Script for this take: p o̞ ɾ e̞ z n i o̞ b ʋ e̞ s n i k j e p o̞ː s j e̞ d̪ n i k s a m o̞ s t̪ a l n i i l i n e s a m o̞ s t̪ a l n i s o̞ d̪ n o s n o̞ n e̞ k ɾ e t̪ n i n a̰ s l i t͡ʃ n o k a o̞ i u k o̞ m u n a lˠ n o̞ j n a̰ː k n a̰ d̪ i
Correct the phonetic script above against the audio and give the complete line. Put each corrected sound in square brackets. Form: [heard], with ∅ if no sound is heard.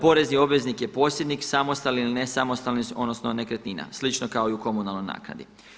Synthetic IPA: p o̞ ɾ e̞ z n i o̞ b ʋ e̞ [z] n i k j e p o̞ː s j e̞ d̪ n i k s a m o̞ s t̪ a l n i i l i n e s a m o̞ s t̪ a l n i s o̞ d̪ n o s n o̞ n e̞ k ɾ e t̪ n i n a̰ s l i t͡ʃ n o k a o̞ i u k o̞ m u n a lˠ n o̞ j n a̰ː k n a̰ d̪ i